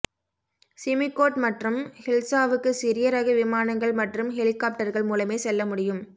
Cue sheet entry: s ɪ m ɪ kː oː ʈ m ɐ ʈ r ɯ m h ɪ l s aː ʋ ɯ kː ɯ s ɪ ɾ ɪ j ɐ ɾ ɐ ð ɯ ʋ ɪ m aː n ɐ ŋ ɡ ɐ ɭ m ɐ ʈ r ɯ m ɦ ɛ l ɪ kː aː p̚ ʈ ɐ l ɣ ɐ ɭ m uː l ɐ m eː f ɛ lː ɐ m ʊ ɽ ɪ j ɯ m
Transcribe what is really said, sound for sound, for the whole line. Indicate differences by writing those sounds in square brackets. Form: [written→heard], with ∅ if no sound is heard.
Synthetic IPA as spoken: s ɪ m ɪ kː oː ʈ m ɐ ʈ r ɯ m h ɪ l s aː ʋ ɯ kː ɯ s ɪ ɾ ɪ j ɐ ɾ ɐ [ð→ɣ] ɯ ʋ ɪ m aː n ɐ ŋ ɡ ɐ ɭ m ɐ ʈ r ɯ m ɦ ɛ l ɪ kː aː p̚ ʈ ɐ [l→ɾ] ɣ ɐ ɭ m uː l ɐ m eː [f→s] ɛ lː ɐ m ʊ ɽ ɪ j ɯ m